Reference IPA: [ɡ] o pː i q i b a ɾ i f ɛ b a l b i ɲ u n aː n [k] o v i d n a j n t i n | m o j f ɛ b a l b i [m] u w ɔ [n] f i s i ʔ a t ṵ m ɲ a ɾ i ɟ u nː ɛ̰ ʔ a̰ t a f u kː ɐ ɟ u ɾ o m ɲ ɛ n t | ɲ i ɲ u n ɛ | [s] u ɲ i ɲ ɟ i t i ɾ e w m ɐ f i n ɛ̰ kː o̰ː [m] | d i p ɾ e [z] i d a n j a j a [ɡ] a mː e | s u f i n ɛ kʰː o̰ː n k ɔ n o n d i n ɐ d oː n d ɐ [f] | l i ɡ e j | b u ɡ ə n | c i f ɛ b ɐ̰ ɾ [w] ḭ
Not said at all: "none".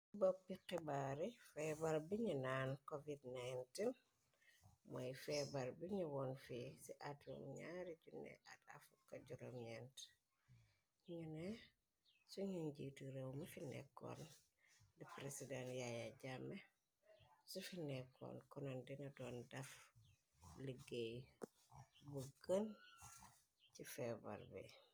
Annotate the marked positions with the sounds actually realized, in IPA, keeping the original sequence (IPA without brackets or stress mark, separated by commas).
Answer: b, k, ɲ, n, s, n, s, ɟ, f, b